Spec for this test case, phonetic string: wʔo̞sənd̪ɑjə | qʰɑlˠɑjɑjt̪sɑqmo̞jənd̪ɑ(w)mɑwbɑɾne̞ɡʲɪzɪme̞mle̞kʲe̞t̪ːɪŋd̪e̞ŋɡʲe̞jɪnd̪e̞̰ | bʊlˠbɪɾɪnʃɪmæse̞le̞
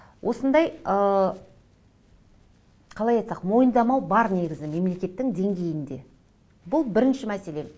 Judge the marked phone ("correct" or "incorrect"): incorrect